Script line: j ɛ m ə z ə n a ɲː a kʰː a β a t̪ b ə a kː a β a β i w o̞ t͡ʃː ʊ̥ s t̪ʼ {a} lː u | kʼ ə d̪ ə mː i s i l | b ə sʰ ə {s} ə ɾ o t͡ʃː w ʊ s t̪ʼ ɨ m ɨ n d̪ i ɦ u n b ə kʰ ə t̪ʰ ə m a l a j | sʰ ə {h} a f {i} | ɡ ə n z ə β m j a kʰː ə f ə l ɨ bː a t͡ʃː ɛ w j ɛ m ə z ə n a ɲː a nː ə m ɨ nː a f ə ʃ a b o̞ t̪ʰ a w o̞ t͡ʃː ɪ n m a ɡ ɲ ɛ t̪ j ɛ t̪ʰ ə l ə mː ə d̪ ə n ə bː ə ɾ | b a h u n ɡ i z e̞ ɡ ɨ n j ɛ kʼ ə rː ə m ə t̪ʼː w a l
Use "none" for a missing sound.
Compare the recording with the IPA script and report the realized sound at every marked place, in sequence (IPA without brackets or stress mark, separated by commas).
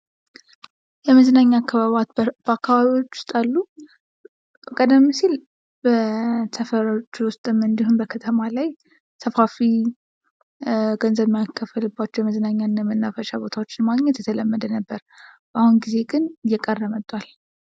a, f, f, i